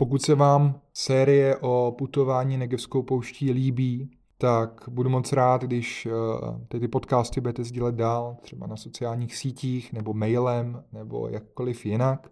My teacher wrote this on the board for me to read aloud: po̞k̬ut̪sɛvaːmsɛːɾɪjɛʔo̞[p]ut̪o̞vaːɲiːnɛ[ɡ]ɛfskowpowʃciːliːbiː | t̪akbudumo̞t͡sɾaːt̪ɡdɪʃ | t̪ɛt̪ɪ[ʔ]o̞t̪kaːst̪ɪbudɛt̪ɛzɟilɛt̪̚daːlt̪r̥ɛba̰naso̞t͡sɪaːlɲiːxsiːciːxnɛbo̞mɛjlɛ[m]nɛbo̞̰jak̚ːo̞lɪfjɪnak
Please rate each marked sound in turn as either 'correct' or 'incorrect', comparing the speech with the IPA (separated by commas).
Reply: correct, correct, incorrect, correct